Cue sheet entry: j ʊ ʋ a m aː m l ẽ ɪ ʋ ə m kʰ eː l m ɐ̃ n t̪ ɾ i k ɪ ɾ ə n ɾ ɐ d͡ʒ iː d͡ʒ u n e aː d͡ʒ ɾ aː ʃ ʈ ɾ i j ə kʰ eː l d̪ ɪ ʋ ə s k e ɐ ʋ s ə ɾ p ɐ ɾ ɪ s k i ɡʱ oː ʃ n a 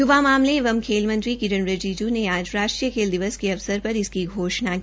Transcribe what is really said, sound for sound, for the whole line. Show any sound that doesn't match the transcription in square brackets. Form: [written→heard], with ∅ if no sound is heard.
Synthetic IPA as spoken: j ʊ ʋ a m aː m l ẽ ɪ ʋ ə m kʰ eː l m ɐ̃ n t̪ ɾ i k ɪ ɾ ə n ɾ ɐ d͡ʒ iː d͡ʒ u n e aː d͡ʒ ɾ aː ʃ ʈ ɾ i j ə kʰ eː l d̪ ɪ ʋ ə s k e ɐ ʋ s ə ɾ p ɐ ɾ ɪ s k i ɡʱ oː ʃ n a